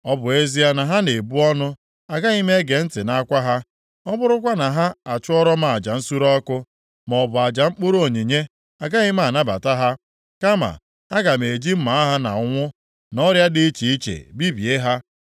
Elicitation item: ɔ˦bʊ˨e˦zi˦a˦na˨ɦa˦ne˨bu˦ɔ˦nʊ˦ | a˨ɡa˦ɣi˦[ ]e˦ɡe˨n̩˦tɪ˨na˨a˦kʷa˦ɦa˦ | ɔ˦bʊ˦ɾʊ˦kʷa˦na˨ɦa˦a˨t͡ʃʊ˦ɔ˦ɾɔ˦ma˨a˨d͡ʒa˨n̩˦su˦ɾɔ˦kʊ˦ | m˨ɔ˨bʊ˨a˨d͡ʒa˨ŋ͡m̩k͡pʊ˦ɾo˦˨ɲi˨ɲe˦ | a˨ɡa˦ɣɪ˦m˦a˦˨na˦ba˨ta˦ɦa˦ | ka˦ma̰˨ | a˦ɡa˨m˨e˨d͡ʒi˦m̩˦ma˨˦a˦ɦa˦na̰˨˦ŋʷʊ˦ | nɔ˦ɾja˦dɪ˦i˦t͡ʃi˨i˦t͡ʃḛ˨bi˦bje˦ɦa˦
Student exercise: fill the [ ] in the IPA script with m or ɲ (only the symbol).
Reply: m